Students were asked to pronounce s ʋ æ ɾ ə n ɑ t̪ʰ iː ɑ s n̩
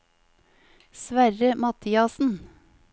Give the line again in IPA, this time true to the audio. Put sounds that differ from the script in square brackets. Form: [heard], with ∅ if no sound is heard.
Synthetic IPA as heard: s ʋ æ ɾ ə [m] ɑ t̪ʰ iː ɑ s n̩